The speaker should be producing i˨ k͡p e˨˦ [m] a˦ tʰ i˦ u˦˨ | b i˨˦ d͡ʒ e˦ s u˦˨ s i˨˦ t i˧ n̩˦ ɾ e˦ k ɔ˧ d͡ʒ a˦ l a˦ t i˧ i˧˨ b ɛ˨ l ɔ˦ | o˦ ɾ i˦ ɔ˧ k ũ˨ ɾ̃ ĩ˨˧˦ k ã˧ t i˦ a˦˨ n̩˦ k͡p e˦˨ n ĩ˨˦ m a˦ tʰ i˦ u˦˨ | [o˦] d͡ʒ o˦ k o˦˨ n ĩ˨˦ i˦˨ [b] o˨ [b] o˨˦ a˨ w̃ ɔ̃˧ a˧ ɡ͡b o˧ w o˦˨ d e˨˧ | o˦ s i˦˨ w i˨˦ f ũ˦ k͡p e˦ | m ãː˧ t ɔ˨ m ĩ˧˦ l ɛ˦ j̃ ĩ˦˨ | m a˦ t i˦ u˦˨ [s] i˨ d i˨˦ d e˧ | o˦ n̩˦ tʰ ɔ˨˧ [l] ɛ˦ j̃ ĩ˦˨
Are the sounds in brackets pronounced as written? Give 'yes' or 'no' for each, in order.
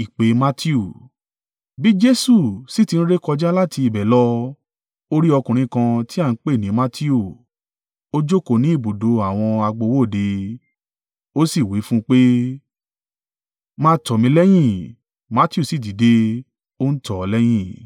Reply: yes, yes, yes, no, yes, yes

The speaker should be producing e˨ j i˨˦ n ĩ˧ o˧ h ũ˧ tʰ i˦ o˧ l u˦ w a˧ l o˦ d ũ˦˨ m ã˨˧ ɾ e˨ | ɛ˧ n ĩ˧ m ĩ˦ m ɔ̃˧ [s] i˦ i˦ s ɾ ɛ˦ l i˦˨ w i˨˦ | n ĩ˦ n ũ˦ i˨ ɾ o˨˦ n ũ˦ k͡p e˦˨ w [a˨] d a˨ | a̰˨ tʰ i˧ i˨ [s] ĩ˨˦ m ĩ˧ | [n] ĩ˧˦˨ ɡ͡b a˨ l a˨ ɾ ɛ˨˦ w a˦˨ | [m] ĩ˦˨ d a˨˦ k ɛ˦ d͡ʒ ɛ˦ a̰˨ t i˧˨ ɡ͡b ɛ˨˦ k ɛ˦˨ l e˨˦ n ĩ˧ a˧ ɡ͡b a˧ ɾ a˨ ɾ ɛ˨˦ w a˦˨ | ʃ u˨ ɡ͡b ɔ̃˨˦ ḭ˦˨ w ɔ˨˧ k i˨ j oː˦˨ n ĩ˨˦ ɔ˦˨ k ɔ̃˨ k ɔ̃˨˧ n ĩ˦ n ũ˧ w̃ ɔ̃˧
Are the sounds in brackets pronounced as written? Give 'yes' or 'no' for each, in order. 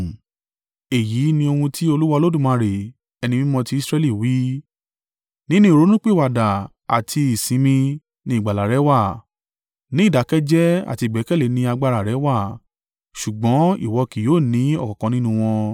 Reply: no, yes, yes, yes, no

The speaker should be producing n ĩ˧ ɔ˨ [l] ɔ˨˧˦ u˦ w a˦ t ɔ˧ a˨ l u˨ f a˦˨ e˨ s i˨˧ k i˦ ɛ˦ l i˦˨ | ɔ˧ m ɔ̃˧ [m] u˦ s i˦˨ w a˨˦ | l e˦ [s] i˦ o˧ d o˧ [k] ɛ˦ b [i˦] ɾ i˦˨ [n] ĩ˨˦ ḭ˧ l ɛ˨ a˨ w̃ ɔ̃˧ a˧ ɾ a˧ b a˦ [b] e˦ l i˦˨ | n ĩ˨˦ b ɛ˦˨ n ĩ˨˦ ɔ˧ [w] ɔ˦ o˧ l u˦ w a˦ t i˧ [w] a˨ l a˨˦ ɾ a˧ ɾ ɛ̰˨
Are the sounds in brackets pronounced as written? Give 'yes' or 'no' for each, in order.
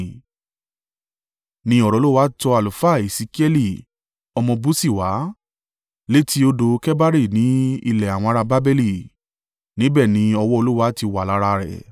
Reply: no, no, no, yes, no, yes, yes, yes, yes

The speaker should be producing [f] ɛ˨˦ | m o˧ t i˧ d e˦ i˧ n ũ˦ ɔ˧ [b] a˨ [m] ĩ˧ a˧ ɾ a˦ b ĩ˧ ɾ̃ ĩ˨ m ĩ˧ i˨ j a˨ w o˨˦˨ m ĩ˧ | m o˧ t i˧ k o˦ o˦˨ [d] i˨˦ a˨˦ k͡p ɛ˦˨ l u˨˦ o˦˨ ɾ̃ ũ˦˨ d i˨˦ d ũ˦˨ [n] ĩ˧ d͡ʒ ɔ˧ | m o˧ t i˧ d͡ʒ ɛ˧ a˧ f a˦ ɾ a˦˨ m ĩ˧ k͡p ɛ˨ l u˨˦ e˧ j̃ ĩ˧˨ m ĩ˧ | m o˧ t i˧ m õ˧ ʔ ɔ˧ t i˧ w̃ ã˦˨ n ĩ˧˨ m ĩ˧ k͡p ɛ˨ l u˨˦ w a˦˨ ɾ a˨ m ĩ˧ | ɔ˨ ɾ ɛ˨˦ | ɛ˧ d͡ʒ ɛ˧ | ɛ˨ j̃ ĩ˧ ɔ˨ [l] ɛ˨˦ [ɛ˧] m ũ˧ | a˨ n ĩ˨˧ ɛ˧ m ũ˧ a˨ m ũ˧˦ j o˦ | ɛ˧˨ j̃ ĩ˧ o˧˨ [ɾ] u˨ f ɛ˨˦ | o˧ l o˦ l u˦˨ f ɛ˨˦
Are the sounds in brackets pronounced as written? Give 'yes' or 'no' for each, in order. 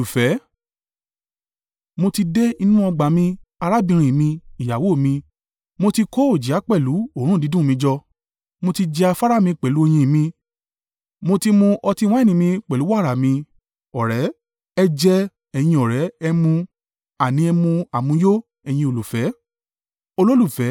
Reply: yes, no, yes, no, no, no, yes, no

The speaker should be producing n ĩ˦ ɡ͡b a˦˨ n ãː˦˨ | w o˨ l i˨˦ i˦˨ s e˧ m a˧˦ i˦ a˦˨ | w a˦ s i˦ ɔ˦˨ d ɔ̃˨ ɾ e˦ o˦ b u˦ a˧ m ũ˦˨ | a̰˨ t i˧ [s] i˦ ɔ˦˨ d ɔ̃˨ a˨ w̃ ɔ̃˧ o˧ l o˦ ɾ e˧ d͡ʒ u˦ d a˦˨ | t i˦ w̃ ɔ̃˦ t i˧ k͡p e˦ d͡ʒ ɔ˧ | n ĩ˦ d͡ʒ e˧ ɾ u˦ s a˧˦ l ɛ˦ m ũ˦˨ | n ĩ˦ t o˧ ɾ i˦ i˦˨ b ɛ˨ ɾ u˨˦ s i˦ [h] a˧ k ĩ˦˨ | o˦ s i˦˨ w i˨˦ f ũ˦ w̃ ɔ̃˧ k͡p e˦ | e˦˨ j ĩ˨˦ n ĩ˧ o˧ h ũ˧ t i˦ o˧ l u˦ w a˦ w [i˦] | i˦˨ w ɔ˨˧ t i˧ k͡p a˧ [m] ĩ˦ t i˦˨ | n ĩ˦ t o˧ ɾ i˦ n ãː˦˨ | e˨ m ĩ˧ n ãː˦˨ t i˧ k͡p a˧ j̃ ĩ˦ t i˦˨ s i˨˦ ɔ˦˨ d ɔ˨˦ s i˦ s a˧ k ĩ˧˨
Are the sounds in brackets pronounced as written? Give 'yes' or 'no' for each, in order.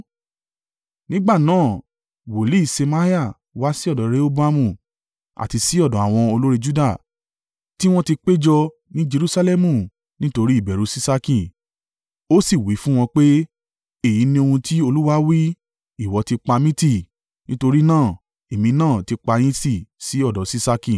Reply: yes, no, yes, yes

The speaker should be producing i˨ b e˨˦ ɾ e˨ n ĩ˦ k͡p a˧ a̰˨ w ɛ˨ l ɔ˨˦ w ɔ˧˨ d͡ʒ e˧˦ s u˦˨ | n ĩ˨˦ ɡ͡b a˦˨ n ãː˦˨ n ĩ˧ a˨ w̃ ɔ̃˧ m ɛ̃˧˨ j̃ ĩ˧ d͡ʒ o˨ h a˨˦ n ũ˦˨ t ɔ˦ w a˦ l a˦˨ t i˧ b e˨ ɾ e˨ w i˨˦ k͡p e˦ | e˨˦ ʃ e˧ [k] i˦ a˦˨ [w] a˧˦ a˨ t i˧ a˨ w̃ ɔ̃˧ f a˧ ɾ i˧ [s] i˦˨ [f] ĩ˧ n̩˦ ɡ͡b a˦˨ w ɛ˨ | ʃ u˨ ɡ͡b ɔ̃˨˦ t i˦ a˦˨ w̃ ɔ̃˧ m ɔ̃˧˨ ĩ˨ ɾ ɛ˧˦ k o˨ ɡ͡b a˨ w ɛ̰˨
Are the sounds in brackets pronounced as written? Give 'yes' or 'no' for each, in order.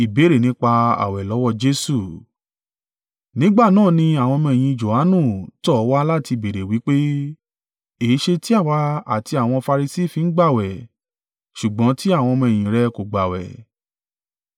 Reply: no, yes, yes, yes

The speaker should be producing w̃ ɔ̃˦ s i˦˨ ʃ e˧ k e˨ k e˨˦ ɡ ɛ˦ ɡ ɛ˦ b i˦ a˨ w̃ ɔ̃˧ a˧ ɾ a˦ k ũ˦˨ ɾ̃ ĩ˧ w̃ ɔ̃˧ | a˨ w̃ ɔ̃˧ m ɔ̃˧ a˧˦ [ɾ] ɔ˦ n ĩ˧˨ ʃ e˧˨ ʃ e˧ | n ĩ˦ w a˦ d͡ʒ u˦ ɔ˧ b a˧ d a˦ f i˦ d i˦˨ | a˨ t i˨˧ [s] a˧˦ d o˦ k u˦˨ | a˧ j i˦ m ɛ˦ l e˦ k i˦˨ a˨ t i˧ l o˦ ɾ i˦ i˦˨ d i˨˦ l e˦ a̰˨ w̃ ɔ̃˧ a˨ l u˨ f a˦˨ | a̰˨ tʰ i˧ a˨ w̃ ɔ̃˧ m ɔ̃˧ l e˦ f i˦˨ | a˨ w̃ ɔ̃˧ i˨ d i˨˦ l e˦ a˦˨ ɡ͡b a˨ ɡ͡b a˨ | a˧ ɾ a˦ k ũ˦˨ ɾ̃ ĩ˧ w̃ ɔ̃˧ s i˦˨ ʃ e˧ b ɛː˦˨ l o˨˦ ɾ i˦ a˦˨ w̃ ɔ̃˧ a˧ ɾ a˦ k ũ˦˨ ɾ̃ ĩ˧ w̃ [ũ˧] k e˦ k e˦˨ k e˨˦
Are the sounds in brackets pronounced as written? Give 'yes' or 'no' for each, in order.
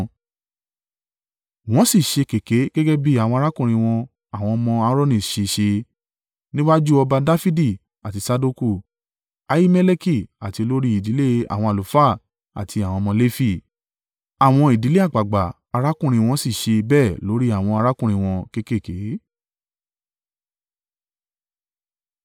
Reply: yes, yes, no

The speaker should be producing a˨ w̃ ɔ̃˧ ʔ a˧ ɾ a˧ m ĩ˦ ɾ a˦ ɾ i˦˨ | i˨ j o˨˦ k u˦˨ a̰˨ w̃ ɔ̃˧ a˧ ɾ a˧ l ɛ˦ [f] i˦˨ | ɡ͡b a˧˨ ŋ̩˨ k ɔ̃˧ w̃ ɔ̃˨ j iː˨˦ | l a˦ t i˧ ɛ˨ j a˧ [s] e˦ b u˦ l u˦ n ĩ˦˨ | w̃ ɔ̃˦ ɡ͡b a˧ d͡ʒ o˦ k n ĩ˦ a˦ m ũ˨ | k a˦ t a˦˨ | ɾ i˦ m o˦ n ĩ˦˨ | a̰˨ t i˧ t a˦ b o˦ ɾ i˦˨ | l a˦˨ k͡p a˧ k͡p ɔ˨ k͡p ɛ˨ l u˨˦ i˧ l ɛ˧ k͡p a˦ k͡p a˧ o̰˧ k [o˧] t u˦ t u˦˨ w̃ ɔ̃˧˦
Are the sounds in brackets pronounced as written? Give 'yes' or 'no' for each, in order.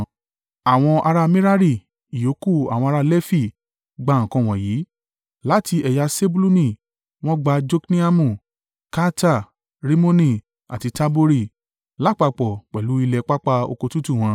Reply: yes, yes, yes

